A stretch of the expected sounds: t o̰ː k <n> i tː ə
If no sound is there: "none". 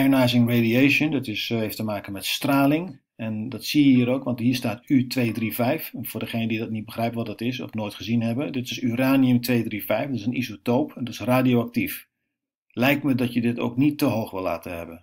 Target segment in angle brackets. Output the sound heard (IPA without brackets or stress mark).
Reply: n